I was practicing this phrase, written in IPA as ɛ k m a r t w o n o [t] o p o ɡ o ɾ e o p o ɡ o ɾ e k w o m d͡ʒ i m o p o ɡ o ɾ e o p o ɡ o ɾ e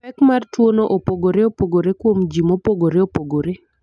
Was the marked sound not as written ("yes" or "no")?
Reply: yes